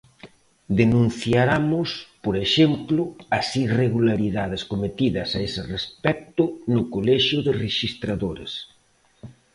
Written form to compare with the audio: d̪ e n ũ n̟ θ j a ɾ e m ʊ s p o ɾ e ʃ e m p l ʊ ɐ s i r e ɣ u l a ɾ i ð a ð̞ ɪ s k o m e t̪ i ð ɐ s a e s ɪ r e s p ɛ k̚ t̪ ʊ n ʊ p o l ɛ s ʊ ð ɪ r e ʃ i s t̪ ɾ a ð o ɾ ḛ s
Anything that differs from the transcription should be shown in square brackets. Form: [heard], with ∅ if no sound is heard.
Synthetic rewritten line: d̪ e n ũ n̟ θ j a ɾ [a] m ʊ s p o ɾ e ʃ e m p l ʊ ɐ s i r e ɣ u l a ɾ i ð a ð̞ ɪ s k o m e t̪ i ð ɐ s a e s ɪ r e s p ɛ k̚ t̪ ʊ n ʊ [k] o l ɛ [ʃ] ʊ ð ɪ r e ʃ i s t̪ ɾ a ð o ɾ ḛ s